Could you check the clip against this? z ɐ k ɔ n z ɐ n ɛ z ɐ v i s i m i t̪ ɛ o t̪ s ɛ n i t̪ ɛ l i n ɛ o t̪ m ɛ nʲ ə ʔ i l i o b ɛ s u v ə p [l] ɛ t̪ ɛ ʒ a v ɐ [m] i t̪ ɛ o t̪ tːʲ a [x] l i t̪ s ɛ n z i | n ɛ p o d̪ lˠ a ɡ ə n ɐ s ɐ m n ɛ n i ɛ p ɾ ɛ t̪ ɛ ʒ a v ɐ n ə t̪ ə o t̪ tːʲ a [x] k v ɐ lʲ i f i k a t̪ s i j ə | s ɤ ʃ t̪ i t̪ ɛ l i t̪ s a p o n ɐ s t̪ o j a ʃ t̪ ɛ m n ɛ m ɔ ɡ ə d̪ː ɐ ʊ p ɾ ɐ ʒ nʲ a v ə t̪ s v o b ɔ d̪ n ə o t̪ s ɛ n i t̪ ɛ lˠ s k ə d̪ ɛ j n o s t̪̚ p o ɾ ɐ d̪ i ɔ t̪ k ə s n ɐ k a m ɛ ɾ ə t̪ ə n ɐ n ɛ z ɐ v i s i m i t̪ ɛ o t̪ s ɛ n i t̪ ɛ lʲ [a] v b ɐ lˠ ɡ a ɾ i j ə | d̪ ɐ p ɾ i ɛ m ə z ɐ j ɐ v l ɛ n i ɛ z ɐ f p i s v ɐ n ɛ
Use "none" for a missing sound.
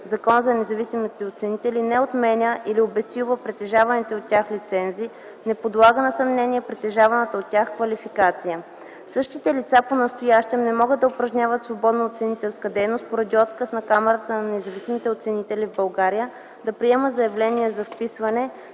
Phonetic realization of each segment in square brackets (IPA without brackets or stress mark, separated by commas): ɾ, n, x, x, i